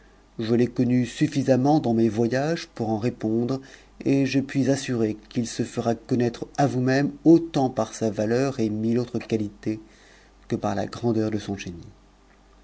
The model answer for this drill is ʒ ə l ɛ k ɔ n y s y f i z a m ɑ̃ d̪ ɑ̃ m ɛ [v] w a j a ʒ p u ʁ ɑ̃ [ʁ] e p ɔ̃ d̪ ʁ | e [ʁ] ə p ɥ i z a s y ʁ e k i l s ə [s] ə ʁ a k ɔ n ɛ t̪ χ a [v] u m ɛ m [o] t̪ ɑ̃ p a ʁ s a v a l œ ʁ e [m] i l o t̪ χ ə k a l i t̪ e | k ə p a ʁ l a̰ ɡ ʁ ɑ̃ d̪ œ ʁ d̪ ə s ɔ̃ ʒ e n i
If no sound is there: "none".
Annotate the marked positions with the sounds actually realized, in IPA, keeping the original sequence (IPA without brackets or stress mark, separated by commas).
v, ʁ, ʒ, f, v, o, m